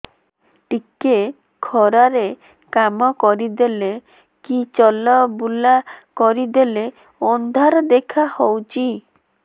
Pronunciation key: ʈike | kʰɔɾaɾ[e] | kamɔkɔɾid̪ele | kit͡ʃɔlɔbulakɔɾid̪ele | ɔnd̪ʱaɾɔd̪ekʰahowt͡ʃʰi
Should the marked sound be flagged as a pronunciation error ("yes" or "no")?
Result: no